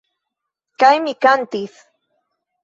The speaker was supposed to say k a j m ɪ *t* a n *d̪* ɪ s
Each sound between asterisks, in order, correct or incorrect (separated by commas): incorrect, incorrect